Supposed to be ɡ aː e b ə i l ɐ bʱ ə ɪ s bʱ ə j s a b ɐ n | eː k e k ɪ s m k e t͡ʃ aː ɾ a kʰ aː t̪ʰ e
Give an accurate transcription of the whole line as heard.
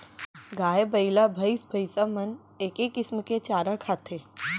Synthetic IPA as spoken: ɡ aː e b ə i l a bʱ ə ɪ s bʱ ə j s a m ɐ n | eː k e k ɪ s m k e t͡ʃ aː ɾ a kʰ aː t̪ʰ e